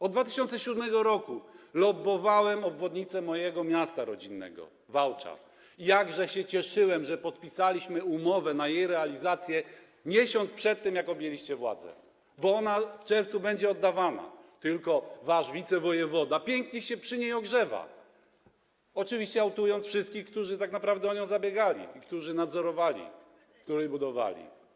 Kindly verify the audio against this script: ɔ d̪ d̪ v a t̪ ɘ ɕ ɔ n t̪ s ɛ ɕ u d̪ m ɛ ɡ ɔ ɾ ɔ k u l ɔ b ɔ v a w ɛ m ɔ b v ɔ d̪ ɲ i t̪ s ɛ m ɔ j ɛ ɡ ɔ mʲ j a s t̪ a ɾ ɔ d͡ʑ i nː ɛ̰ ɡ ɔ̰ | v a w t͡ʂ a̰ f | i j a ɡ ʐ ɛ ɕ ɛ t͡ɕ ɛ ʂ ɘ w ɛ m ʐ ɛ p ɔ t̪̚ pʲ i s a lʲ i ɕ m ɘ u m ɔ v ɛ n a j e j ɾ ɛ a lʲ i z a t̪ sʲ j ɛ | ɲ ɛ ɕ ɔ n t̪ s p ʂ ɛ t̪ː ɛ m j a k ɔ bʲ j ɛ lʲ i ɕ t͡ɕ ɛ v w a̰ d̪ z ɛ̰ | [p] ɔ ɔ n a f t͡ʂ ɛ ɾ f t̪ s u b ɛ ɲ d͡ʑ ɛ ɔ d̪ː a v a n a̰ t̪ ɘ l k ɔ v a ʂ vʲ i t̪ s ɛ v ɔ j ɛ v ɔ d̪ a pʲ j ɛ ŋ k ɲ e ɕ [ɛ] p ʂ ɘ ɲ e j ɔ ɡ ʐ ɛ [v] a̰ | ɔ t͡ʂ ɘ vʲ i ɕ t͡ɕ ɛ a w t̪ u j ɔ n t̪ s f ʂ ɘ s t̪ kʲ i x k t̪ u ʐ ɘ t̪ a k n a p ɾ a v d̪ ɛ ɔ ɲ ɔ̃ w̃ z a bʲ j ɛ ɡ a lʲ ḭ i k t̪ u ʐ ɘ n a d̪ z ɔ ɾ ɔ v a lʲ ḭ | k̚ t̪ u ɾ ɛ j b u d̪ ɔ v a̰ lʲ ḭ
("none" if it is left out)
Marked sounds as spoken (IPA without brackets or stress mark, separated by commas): b, ɛ, v